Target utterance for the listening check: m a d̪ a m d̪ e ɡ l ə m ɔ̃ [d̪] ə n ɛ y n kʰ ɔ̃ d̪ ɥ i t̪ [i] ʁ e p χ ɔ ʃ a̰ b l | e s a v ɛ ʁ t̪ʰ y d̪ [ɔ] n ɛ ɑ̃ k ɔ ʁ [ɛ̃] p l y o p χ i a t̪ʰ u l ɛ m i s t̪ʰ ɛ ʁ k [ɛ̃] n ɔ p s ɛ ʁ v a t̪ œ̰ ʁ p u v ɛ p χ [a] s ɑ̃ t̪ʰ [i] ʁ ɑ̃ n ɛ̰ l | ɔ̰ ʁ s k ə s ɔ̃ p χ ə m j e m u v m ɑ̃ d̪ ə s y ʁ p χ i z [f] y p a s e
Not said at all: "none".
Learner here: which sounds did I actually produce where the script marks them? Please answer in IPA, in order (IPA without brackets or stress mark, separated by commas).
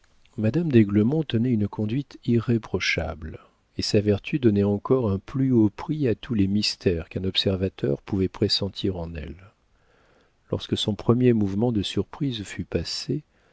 t̪, i, ɔ, ɛ̃, ɛ̃, e, i, f